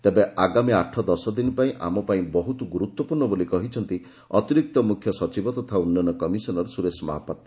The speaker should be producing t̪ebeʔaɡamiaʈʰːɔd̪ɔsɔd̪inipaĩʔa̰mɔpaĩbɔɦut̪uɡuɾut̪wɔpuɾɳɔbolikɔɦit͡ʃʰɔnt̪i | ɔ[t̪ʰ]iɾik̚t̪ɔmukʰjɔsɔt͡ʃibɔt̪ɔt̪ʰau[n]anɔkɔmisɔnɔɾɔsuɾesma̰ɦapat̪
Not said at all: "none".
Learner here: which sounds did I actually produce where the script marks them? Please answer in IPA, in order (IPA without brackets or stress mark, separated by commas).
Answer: t̪, nː